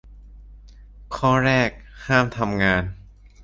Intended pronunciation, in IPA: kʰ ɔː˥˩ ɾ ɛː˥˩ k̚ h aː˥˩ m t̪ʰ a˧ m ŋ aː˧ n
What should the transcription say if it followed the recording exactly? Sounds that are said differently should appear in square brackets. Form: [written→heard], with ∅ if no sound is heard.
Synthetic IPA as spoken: kʰ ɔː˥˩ ɾ ɛː˥˩ k̚ h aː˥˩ m t̪ʰ a˧ m ŋ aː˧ n